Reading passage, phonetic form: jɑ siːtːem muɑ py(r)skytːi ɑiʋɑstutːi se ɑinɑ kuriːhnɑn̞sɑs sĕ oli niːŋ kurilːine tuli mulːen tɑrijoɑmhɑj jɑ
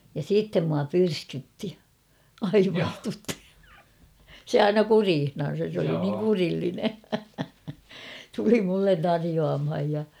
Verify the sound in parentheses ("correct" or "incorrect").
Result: correct